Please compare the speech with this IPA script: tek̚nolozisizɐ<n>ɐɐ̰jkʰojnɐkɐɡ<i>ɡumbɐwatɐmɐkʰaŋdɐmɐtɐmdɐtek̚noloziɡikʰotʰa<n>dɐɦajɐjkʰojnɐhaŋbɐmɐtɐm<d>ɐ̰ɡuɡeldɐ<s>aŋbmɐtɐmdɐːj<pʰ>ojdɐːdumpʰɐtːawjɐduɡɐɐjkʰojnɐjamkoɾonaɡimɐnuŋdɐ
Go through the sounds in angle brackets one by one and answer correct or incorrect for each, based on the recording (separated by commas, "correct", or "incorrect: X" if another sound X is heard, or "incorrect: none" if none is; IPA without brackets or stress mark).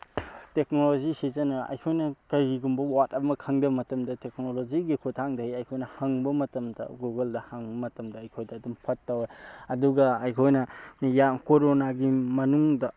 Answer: correct, correct, incorrect: ŋ, correct, incorrect: h, incorrect: kʰ